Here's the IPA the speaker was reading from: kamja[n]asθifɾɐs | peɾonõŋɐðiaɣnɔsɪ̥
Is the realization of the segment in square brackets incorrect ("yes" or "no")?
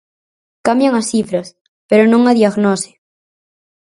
yes